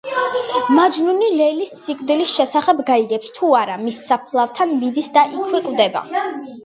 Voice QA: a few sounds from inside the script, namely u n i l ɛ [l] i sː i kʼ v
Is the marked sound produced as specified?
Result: yes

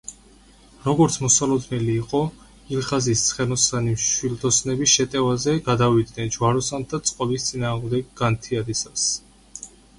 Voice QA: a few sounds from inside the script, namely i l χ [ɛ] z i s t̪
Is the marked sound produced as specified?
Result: no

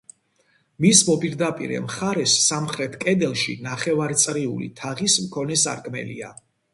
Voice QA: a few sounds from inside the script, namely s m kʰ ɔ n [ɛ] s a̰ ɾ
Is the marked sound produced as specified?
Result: yes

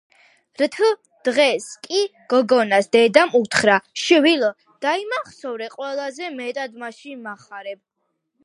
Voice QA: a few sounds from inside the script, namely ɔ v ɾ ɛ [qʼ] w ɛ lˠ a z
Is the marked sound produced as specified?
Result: yes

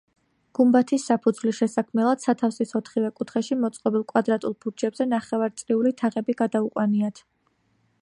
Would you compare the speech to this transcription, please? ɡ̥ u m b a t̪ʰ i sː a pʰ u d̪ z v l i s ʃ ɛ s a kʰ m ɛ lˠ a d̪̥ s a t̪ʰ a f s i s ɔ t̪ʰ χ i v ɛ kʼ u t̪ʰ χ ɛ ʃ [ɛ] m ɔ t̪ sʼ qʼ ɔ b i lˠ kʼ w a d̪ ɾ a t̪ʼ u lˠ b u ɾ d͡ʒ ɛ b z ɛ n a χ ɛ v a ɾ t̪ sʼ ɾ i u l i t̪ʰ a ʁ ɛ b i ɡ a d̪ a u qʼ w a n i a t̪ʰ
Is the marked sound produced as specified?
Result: no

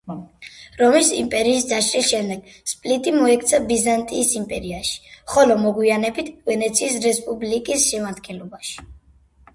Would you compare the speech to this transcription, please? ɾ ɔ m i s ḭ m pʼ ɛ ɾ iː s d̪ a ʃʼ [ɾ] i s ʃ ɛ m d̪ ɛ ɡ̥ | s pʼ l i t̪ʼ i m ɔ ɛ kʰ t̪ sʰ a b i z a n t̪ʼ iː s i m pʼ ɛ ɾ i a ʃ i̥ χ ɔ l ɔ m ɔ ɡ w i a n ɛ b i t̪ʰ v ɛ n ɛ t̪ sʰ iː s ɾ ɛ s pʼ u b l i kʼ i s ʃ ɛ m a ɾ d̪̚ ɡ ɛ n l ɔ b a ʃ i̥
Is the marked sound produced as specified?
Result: yes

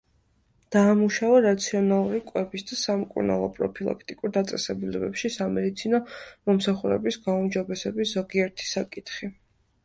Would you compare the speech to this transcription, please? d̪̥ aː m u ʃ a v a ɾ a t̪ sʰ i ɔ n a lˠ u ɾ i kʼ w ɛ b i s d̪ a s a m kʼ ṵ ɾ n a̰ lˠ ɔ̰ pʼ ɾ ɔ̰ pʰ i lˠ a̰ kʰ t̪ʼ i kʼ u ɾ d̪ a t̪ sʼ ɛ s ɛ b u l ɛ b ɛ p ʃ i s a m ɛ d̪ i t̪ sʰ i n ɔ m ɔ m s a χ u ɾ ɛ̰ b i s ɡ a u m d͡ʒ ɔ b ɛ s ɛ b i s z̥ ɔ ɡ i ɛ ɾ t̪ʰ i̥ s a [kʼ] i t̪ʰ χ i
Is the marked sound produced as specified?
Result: yes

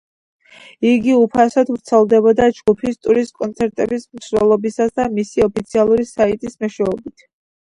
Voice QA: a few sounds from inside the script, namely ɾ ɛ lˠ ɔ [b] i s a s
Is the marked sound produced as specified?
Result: yes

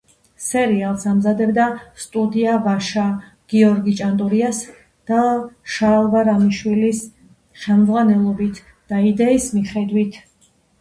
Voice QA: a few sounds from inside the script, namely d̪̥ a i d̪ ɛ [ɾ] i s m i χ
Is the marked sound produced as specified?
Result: no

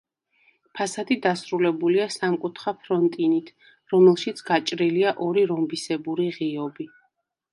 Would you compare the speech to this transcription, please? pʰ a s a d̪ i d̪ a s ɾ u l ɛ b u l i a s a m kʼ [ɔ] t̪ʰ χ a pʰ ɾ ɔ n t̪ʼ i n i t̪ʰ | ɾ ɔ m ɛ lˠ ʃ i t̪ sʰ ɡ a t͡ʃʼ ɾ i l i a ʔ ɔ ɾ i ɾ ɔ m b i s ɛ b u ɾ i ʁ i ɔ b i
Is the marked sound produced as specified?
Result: no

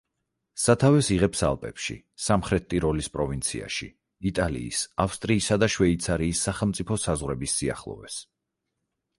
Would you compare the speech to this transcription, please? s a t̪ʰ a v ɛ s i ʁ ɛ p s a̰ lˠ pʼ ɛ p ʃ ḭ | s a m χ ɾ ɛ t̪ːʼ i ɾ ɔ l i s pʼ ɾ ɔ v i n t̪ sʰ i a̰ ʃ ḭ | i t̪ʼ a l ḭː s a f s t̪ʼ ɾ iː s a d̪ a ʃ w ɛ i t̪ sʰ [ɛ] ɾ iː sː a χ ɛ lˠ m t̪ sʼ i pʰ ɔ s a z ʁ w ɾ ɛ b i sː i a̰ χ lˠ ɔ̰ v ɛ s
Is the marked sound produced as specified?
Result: no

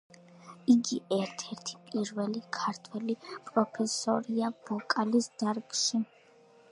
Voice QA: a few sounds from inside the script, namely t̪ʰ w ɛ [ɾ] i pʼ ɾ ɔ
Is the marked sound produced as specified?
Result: no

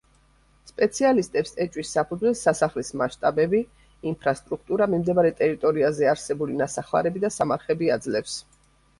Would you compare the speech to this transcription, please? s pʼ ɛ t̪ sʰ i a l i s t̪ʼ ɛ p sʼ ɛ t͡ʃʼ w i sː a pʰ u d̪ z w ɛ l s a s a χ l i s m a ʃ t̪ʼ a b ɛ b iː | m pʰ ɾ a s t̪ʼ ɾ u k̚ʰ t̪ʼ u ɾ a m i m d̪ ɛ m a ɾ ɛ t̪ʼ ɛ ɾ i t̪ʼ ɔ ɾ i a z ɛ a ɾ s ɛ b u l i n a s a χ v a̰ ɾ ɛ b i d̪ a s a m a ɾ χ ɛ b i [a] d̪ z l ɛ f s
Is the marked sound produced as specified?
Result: yes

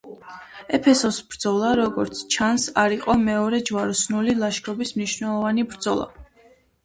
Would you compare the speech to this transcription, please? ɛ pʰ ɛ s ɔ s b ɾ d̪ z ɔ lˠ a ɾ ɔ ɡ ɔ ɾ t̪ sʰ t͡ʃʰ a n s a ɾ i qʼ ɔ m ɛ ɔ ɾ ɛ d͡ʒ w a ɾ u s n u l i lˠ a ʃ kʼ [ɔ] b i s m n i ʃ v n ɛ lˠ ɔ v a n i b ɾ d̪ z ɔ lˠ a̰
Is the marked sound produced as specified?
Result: yes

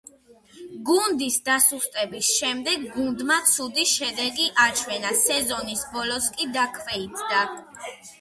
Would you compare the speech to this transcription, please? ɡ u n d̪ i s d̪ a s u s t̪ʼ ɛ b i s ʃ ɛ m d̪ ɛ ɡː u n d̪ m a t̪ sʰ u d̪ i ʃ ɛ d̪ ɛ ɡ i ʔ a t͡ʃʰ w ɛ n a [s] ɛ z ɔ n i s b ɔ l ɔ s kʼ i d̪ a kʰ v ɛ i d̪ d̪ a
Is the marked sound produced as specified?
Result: yes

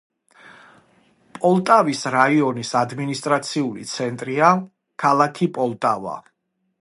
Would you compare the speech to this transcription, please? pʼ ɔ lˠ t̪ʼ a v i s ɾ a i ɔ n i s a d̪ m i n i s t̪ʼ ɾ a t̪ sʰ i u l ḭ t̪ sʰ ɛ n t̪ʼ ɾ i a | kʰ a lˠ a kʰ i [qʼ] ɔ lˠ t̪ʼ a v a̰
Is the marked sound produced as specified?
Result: no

